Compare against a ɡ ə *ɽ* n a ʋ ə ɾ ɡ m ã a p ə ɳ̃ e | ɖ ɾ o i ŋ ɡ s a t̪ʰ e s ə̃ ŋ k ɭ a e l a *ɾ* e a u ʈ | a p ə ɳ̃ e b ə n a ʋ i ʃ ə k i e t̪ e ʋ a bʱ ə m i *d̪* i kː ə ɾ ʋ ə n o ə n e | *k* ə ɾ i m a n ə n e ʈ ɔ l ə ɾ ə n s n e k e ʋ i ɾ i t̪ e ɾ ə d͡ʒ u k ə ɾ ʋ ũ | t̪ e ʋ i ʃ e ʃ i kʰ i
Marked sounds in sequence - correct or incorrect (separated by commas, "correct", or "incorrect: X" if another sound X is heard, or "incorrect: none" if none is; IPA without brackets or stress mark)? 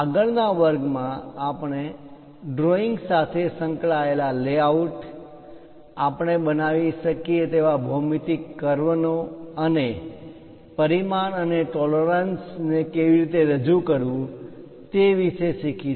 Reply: incorrect: ɭ, incorrect: l, incorrect: t̪, incorrect: p